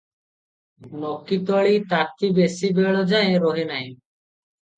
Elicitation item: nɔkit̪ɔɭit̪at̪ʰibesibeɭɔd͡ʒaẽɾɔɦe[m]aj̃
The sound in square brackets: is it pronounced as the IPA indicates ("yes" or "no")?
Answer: no